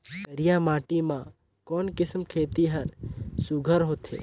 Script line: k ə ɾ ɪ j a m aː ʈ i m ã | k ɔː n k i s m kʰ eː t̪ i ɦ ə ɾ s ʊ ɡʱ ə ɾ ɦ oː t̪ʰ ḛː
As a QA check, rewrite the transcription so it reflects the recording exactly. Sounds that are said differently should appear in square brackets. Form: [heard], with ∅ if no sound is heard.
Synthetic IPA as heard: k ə ɾ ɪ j a m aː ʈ i m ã | k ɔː n k [ɪ] s m kʰ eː t̪ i ɦ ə ɾ s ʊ ɡʱ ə ɾ ɦ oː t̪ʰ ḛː